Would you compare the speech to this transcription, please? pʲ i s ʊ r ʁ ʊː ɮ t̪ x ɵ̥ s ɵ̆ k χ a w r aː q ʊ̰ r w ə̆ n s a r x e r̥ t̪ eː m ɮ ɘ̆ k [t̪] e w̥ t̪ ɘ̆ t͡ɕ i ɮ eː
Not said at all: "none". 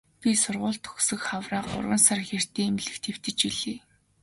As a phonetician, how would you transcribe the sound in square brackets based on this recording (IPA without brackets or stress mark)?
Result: t̪ʰ